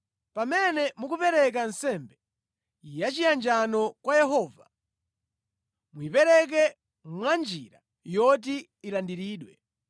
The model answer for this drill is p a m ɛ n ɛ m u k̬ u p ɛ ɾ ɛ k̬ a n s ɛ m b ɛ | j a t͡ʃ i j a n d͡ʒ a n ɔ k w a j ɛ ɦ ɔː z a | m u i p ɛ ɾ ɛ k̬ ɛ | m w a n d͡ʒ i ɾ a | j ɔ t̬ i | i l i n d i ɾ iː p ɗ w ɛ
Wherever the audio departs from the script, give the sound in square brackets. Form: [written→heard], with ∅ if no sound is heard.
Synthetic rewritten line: p a m ɛ n ɛ m u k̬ u p ɛ ɾ ɛ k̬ a n s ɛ m b ɛ | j a t͡ʃ i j a n d͡ʒ a n ɔ k w a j ɛ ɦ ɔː [z→v] a | m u i p ɛ ɾ ɛ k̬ ɛ | m w a n d͡ʒ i ɾ a | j ɔ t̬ i | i l [i→a] n d i ɾ iː [p→∅] ɗ w ɛ